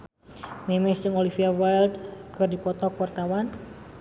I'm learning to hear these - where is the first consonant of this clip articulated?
lips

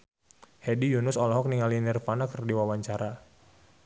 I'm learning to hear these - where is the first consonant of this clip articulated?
throat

